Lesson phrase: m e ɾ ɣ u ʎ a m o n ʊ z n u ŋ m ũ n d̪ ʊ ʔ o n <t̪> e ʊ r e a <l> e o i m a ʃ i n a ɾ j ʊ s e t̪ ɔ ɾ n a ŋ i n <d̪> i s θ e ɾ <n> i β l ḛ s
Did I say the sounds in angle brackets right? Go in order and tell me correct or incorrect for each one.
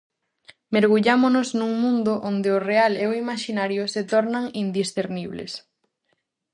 incorrect, correct, correct, correct

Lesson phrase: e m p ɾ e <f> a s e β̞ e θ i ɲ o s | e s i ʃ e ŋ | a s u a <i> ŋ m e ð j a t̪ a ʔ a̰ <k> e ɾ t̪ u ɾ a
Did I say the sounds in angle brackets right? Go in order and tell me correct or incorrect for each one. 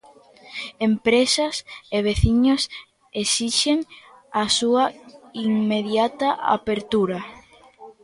incorrect, correct, incorrect

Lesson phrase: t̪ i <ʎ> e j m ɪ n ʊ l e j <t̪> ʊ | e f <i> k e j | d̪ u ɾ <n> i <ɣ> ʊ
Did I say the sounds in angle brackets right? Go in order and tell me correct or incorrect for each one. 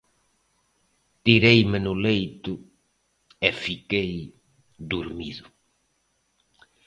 incorrect, correct, correct, incorrect, incorrect

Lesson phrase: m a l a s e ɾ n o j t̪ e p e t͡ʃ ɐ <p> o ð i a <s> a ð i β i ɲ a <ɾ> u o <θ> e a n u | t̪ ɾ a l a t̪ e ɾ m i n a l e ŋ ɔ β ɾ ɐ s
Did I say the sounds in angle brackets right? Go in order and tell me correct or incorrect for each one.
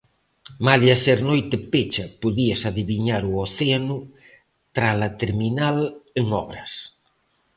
correct, correct, correct, correct

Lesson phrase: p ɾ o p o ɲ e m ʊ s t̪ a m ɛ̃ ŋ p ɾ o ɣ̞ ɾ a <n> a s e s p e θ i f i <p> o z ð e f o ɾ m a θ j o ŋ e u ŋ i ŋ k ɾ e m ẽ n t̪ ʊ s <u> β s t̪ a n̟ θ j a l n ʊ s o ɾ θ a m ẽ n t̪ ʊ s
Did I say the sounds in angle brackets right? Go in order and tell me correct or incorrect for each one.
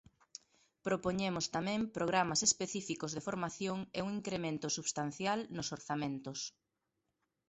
incorrect, incorrect, correct

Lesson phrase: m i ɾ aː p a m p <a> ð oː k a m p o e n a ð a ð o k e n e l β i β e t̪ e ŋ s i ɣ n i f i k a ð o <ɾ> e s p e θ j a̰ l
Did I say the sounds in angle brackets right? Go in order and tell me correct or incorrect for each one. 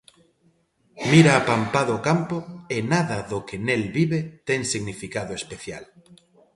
correct, incorrect

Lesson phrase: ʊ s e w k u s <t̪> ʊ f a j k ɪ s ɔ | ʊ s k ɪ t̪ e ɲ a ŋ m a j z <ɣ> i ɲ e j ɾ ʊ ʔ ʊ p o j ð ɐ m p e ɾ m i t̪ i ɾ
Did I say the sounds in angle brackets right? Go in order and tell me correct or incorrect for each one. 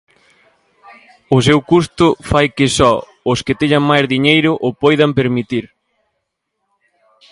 correct, incorrect

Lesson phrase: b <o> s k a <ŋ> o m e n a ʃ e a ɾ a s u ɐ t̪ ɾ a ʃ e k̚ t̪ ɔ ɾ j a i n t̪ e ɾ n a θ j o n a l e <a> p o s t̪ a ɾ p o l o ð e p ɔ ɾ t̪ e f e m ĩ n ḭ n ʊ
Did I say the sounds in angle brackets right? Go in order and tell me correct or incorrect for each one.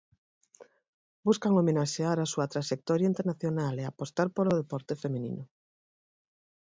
incorrect, correct, correct

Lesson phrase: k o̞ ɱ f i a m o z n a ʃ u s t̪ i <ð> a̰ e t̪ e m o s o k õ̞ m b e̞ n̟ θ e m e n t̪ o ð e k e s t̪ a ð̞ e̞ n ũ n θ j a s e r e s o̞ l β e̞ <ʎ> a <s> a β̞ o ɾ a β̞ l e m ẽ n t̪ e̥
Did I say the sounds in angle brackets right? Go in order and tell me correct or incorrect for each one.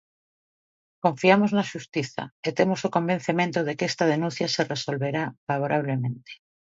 incorrect, incorrect, incorrect

